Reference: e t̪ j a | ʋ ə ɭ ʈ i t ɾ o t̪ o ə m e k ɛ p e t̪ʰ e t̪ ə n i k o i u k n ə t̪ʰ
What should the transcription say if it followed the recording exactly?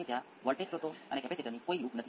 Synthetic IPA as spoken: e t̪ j a | ʋ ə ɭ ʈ e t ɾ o t̪ o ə n e k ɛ p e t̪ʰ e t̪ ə n i k o i u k n ə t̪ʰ